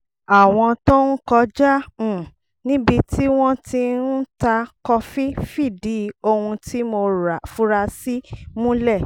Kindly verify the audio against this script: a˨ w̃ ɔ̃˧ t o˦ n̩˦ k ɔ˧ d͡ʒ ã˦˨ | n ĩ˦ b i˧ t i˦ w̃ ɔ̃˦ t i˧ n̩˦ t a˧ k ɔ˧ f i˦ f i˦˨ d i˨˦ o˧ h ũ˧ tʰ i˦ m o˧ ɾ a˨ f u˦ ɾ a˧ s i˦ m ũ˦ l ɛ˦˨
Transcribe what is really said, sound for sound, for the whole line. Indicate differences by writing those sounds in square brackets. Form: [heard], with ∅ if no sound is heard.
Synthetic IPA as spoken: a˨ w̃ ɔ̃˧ t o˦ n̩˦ k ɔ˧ d͡ʒ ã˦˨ | n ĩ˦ b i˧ t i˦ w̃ ɔ̃˦ t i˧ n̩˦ t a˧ k ɔ˧ f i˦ f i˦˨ d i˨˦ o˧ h ũ˧ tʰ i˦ m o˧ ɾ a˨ f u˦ ɾ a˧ s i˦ m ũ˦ l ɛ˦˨

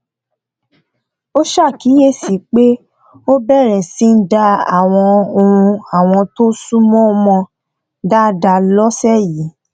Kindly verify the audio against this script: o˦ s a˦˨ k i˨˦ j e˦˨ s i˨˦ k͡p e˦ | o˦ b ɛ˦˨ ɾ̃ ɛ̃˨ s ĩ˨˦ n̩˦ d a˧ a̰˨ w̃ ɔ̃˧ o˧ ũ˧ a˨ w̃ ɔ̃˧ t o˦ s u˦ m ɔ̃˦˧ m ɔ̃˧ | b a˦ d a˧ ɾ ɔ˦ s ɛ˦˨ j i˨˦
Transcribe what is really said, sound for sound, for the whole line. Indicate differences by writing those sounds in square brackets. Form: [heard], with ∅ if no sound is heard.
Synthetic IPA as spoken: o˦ [ʃ] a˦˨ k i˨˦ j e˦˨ s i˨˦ k͡p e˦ | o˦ b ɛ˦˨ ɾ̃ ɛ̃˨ s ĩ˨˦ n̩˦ d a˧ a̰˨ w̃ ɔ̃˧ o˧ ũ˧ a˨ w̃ ɔ̃˧ t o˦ s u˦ m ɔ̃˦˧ m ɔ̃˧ | [d] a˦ d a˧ [l] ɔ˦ s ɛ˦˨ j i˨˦

